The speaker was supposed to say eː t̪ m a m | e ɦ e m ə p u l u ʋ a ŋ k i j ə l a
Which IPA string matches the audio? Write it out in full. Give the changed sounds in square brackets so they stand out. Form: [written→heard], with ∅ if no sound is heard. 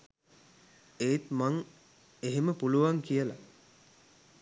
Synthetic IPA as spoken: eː t̪ m a [m→ŋ] | e ɦ e m ə p u l u ʋ a ŋ k i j ə l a